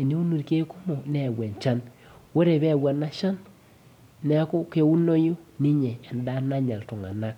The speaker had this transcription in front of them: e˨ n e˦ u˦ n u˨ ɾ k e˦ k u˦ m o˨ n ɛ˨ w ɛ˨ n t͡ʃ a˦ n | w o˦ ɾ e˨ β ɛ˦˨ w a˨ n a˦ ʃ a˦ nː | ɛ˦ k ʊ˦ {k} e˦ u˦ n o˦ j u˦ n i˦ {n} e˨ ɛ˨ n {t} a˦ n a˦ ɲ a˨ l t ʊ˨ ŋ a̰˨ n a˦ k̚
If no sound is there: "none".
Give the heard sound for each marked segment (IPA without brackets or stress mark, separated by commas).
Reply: k, ɲ, d